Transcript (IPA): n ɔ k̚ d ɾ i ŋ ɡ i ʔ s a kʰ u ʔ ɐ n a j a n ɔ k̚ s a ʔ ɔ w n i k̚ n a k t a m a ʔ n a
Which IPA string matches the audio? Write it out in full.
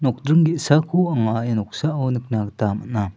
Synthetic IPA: n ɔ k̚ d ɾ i ŋ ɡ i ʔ s a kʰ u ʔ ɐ ŋ a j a n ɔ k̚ s a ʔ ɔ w n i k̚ n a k t a m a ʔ n a